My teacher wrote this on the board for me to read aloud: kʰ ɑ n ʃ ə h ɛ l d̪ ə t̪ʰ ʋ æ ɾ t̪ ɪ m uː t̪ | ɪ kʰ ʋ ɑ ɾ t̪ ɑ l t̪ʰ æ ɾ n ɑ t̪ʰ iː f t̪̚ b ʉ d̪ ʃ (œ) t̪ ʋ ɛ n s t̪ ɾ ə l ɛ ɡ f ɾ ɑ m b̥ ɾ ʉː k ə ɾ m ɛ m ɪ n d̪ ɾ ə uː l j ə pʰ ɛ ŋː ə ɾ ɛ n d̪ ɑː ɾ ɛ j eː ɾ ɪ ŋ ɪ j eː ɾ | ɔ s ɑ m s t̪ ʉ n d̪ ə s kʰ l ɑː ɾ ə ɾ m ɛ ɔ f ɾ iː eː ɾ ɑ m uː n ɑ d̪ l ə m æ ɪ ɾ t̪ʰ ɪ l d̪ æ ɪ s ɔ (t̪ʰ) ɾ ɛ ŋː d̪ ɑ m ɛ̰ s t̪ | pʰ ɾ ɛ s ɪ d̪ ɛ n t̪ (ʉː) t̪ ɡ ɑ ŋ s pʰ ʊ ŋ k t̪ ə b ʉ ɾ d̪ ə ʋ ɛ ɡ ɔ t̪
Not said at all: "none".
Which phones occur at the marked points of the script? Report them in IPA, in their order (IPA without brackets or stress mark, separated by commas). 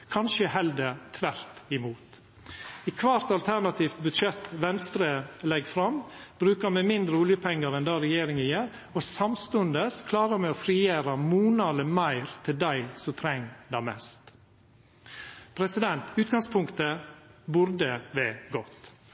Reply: ɛ, t̪ʰ, ʉː